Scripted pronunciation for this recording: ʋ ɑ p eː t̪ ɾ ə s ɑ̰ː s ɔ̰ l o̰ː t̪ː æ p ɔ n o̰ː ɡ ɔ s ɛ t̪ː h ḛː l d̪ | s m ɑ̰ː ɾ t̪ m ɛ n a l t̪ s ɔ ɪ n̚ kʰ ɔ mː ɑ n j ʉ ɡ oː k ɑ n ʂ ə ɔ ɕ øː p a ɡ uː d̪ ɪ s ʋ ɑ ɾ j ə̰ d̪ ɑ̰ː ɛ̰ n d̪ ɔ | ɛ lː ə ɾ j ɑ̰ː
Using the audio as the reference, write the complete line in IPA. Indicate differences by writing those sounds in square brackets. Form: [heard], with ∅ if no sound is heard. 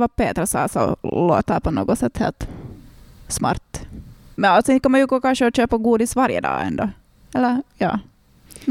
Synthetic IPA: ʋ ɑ p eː t̪ ɾ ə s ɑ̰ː s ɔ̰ l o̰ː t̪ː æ p ɔ n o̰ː ɡ ɔ s ɛ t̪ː h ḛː l [t̪] | s m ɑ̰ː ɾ t̪ m ɛ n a l t̪ s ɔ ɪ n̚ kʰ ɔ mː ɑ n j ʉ ɡ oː k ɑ n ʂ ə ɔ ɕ øː p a ɡ uː d̪ ɪ s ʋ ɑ ɾ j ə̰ d̪ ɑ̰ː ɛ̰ n d̪ ɔ | ɛ lː ə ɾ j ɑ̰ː